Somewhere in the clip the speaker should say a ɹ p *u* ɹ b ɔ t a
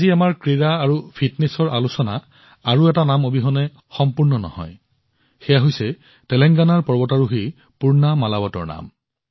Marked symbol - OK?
no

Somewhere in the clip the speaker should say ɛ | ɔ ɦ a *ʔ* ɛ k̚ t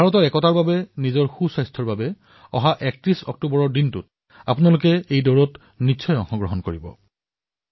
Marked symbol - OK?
yes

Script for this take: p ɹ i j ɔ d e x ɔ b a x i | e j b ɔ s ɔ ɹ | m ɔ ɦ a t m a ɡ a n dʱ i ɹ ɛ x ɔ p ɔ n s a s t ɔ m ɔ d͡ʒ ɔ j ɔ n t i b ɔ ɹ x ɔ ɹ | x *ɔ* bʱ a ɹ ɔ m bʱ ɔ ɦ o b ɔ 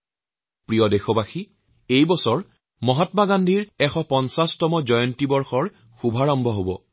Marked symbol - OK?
no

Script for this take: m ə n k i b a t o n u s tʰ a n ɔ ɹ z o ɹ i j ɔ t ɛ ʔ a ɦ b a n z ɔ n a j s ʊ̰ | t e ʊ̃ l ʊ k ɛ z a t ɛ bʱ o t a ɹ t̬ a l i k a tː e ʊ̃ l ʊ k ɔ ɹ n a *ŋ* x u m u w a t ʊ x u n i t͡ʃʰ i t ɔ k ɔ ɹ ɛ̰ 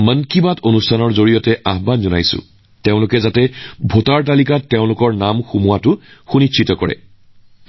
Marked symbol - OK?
no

